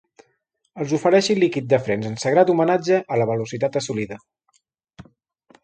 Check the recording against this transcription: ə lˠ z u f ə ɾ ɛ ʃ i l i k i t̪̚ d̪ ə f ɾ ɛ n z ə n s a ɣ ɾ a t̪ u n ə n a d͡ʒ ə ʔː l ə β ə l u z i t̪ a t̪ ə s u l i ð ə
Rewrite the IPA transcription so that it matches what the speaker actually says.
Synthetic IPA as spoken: ə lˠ z u f ə ɾ ɛ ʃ i l i k i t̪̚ d̪ ə f ɾ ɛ n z ə n s ə ɣ ɾ a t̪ u m ə n a d͡ʒ ə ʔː l ə β ə l u s i t̪ a t̪ ə s u l i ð ə